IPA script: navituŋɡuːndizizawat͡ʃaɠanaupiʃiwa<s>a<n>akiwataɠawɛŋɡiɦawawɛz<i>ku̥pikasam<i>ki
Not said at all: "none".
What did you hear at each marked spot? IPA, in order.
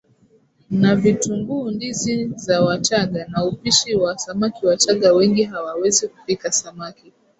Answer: s, m, i, a

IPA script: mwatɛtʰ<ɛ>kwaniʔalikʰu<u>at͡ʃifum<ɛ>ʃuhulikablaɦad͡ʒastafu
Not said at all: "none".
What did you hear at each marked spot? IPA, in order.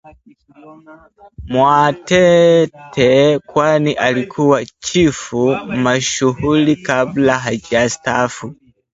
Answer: ɛ, w, a

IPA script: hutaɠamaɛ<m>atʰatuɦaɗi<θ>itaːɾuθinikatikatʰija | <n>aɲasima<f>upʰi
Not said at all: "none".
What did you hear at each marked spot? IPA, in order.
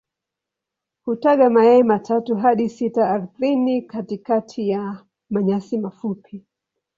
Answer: m, s, m, f

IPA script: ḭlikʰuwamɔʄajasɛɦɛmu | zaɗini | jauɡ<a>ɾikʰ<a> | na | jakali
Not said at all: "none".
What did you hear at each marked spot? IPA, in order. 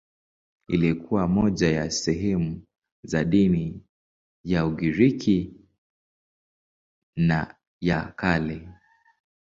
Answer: i, i

